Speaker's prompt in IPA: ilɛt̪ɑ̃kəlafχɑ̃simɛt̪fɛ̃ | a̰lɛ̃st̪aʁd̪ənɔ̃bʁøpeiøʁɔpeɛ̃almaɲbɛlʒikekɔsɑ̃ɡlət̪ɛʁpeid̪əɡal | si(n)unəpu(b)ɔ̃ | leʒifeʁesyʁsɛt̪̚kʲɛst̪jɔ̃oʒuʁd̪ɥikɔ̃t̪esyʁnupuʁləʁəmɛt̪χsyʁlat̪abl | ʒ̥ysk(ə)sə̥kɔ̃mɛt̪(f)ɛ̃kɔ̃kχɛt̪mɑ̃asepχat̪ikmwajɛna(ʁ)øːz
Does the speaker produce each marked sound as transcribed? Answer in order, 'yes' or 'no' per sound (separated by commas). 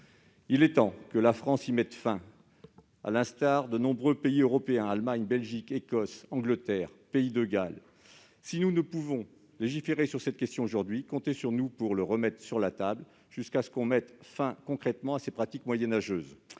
yes, no, no, yes, no